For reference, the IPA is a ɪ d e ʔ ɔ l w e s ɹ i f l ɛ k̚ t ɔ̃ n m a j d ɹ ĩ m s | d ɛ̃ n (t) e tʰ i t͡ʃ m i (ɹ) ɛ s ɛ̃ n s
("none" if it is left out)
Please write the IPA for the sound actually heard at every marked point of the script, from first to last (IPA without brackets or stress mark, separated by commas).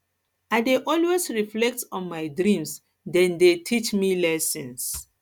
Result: d, l